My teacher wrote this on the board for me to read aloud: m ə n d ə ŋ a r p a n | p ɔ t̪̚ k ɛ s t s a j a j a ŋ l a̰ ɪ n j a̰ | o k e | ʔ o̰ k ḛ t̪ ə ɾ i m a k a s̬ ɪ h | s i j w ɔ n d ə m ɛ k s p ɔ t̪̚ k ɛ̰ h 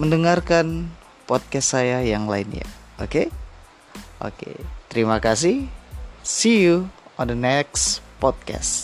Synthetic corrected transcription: m ə n d ə ŋ a r k a n | p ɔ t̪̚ k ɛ s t s a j a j a ŋ l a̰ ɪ n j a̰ | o k e | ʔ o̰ k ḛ t̪ ə ɾ i m a k a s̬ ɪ h | s i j u ɔ n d ə n ɛ k s p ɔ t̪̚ k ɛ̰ s